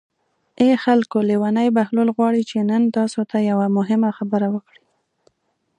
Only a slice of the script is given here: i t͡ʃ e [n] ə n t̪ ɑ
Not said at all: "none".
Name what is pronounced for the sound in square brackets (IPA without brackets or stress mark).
n